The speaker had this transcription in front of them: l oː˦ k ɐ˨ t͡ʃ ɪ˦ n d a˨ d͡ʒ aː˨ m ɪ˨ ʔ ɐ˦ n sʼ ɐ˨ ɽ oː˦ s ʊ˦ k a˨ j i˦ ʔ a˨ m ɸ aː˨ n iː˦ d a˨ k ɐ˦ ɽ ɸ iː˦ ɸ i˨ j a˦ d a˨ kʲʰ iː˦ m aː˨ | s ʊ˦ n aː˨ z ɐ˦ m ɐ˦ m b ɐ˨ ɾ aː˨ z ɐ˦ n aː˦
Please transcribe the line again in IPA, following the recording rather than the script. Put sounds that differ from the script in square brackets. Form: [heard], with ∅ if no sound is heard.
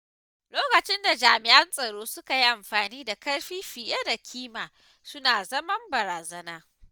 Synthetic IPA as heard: l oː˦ k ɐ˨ t͡ʃ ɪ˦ n d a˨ d͡ʒ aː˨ m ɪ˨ ʔ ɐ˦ n sʼ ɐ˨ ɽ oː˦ s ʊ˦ k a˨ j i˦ ʔ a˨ m ɸ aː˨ n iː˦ d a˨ k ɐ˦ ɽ ɸ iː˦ ɸ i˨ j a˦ d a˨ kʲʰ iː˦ m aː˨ | s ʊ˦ n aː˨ z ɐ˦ m ɐ˦ m b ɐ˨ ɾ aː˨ z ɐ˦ n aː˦

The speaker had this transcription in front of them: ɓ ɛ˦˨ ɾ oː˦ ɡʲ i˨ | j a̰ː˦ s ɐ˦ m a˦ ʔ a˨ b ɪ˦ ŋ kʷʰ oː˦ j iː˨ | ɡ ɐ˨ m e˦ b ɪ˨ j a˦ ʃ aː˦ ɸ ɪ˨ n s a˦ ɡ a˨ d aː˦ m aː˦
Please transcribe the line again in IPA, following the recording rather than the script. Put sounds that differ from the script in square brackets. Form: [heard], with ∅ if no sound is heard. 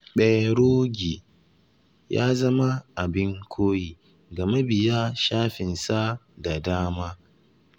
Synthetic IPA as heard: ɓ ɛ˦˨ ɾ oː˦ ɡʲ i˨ | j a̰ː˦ [z] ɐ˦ m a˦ ʔ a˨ b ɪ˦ ŋ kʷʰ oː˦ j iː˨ | ɡ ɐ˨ m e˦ b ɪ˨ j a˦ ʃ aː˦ ɸ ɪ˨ n s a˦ [d] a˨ d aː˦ m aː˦

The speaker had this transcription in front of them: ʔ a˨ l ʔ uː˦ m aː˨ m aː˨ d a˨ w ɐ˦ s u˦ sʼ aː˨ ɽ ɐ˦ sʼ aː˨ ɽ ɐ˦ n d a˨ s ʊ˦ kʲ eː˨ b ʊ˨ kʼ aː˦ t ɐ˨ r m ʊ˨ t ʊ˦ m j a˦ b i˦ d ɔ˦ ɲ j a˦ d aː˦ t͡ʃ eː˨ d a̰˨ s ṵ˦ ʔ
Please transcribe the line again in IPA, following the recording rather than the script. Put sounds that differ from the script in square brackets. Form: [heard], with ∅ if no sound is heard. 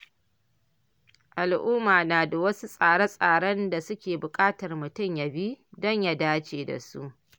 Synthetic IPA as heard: ʔ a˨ l ʔ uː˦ m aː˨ [n] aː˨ d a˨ w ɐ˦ s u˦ sʼ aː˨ ɽ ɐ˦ sʼ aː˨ ɽ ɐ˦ n d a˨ s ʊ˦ kʲ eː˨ b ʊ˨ kʼ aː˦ t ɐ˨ r m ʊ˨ t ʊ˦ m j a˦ b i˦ d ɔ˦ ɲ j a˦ d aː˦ t͡ʃ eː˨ d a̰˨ s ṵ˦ ʔ

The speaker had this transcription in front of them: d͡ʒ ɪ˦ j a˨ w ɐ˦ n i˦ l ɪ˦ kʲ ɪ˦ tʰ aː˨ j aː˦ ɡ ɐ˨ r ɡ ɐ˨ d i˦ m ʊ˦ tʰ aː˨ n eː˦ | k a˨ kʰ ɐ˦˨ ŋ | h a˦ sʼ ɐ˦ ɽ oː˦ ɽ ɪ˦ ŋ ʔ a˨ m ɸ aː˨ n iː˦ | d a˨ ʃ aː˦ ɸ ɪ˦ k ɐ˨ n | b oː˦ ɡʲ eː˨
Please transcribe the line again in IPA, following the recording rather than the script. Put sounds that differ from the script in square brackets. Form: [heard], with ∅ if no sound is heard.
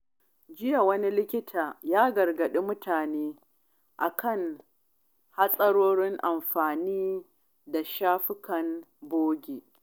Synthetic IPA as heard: d͡ʒ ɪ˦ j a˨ w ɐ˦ n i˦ l ɪ˦ kʲ ɪ˦ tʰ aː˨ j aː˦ ɡ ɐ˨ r ɡ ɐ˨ [ɗ] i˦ m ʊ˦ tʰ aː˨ n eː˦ | [ʔ] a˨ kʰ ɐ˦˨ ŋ | h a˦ sʼ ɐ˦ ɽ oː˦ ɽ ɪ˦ ŋ ʔ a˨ m ɸ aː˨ n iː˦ | d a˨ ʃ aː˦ ɸ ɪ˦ k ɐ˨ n | b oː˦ ɡʲ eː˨

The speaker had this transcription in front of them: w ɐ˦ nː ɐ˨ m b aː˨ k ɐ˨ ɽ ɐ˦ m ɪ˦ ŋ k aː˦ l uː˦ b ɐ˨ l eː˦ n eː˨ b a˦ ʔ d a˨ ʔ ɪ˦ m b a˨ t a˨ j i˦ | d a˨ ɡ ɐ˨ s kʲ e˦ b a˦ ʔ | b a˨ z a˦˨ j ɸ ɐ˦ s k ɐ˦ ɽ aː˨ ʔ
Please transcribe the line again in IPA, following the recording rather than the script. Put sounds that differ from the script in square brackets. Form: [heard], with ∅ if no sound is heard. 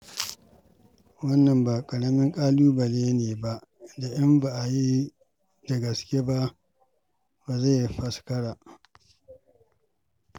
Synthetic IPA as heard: w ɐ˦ nː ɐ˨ m b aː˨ [kʼ] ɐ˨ ɽ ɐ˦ m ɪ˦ ŋ [kʼ] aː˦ l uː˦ b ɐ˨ l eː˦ n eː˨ b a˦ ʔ d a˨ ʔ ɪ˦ m b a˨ [ʔ] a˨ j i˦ | d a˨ ɡ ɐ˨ s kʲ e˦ b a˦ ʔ | b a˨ z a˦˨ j ɸ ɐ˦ s k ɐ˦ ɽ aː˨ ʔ

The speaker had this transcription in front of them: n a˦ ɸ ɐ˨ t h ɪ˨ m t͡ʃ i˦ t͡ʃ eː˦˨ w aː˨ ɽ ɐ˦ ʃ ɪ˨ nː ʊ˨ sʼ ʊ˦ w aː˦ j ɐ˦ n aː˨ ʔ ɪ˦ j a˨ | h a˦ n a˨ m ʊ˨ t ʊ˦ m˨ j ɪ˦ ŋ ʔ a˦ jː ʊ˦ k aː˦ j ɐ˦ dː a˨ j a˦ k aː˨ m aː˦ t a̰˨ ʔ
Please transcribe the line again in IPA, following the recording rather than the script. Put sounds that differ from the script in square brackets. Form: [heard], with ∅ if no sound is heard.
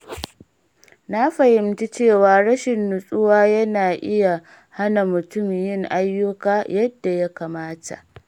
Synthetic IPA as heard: n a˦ ɸ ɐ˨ [∅] h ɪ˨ m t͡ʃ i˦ t͡ʃ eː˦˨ w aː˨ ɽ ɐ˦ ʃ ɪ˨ nː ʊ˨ sʼ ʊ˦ w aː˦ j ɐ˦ n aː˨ ʔ ɪ˦ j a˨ | h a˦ n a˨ m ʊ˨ t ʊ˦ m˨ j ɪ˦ ŋ ʔ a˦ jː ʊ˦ k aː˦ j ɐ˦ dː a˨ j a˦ k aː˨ m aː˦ t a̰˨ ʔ

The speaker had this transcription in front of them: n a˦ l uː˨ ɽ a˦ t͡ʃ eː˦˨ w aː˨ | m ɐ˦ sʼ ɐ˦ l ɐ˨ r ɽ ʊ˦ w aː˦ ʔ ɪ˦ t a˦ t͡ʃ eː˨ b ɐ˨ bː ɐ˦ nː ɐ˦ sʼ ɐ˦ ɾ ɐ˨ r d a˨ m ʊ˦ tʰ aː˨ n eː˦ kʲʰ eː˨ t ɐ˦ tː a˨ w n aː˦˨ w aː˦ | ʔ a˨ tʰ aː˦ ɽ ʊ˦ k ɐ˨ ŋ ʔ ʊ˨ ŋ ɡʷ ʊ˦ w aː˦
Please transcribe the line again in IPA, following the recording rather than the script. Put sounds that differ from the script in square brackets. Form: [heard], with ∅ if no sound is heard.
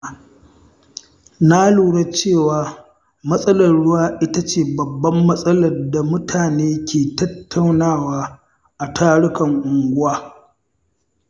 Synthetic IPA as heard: n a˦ l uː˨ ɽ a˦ t͡ʃ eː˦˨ w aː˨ | m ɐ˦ sʼ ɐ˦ l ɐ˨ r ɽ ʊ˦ w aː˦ ʔ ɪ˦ t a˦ t͡ʃ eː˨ b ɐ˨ bː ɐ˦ [mː] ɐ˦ sʼ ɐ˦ [l] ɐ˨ r d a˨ m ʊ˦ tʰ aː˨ n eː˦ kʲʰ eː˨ t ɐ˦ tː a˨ w n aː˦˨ w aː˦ | ʔ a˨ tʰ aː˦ ɽ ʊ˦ k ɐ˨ ŋ ʔ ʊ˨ ŋ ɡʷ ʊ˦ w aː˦

